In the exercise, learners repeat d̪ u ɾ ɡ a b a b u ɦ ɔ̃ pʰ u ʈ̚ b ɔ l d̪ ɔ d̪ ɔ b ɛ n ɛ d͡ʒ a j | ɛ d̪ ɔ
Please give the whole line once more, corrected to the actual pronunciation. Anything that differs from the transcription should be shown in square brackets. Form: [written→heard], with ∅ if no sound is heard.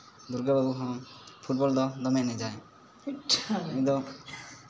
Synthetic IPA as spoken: d̪ u ɾ ɡ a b a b u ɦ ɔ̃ pʰ u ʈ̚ b ɔ l d̪ ɔ d̪ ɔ [b→m] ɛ n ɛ d͡ʒ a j | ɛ d̪ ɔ